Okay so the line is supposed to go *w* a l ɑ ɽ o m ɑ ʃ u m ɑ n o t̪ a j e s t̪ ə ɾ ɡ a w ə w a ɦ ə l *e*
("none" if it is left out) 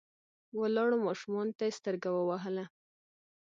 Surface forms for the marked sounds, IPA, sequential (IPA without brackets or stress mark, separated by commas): w, a